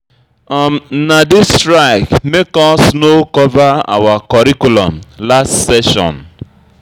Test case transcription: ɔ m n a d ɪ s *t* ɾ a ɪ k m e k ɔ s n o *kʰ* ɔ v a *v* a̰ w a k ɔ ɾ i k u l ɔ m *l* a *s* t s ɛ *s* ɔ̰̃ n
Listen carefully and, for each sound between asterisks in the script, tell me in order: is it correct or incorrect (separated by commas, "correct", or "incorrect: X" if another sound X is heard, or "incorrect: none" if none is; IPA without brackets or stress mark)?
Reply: correct, incorrect: k, incorrect: none, correct, correct, incorrect: ʃ